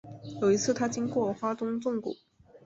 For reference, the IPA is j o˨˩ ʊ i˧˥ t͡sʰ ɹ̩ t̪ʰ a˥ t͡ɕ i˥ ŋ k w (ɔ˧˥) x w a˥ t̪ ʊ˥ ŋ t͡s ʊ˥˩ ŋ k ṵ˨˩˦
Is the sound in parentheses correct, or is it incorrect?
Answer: incorrect